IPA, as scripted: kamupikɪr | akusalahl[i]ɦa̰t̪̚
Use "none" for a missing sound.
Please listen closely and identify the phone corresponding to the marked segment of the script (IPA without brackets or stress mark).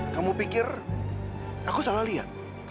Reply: i